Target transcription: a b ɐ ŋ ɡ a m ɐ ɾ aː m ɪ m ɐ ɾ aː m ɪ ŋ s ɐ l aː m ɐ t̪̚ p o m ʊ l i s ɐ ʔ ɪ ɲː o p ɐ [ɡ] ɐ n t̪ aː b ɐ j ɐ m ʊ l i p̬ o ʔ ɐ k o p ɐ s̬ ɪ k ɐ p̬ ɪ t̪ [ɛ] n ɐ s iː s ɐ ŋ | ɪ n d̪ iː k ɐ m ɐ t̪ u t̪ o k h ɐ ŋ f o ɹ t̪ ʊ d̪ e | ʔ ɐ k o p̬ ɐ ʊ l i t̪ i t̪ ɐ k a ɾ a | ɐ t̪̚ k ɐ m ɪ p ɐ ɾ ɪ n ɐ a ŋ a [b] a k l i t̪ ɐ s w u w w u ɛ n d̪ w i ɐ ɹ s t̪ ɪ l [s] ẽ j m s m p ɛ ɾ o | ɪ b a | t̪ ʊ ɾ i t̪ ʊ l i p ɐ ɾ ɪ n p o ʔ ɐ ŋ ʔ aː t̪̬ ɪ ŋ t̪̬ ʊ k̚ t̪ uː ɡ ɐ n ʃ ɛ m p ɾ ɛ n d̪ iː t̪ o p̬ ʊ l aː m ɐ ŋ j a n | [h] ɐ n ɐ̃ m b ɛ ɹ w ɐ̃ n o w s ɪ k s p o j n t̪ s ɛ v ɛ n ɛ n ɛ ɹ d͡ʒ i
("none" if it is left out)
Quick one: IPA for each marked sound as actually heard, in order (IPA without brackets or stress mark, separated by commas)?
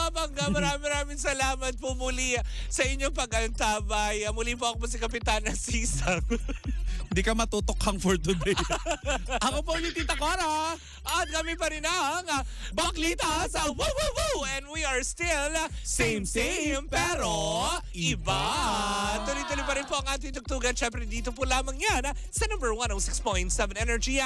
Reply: ɡ, a, b, s, s